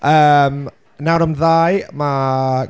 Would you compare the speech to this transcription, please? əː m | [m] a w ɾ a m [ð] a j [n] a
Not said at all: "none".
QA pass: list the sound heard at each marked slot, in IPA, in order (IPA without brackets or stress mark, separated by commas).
n, ð, m